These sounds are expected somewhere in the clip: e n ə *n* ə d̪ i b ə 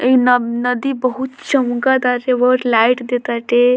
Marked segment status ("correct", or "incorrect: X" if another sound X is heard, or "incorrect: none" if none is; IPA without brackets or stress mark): correct